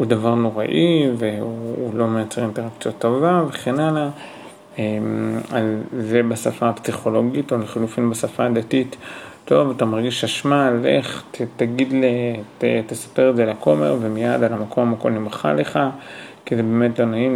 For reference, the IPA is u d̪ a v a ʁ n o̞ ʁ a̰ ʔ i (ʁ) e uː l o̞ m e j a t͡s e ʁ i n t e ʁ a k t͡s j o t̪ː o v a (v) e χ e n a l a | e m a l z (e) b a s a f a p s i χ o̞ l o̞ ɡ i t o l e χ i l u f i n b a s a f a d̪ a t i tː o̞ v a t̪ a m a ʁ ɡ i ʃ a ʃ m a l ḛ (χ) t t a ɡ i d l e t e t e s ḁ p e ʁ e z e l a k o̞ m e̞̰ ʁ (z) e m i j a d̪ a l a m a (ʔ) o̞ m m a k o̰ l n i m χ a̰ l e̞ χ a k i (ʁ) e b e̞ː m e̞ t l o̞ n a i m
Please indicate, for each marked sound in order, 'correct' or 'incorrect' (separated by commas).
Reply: incorrect, correct, correct, correct, incorrect, incorrect, incorrect